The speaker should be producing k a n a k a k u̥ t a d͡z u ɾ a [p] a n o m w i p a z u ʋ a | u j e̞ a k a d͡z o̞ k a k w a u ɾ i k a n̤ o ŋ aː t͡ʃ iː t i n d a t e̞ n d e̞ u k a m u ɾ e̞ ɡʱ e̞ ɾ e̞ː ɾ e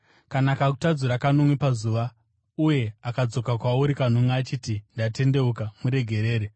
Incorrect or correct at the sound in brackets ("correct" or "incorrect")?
incorrect